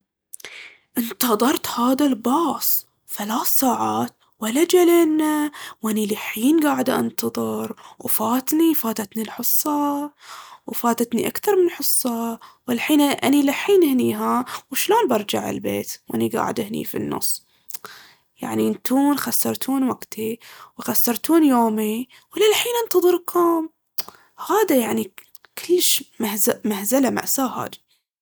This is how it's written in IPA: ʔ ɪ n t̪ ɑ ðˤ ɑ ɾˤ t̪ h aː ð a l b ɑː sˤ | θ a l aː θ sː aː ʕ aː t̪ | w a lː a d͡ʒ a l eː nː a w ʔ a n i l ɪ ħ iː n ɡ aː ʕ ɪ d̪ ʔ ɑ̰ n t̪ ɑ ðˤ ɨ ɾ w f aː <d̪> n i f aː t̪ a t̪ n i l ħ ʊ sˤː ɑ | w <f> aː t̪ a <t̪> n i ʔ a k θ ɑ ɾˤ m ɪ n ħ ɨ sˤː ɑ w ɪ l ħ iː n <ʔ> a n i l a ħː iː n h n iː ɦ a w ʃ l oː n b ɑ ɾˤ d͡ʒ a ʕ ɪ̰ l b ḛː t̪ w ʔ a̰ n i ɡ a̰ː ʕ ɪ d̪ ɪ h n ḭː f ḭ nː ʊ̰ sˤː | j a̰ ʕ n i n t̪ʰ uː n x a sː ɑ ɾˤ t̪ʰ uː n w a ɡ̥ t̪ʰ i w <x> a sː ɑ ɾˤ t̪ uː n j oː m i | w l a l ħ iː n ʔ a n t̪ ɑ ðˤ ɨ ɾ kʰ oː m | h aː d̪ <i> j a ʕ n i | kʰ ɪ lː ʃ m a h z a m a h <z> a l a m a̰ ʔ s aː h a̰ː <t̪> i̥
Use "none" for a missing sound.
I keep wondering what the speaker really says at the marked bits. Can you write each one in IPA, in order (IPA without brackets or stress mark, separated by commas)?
t̪, f, t̪, ʔ, x, a, z, d̪